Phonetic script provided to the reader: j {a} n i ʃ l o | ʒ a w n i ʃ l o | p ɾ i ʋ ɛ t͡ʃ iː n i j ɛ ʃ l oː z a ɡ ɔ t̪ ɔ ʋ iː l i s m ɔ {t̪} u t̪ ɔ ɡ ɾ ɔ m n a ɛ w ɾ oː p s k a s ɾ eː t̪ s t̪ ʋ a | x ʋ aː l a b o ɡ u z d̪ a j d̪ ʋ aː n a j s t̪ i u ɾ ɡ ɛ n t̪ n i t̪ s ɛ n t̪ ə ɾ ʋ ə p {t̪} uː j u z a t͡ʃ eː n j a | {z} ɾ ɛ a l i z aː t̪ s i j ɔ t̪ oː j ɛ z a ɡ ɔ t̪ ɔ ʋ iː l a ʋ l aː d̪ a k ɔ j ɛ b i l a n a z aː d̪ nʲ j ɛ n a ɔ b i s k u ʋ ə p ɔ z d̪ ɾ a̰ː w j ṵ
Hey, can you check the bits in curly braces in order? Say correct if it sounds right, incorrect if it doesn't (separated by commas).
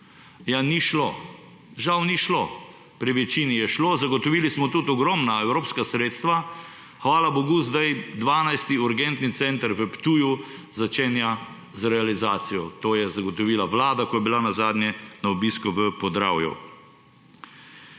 correct, correct, correct, correct